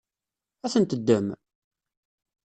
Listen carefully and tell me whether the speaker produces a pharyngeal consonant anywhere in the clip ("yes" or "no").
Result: no